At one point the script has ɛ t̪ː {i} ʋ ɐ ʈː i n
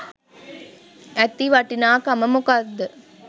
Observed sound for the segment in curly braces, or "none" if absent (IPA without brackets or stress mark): i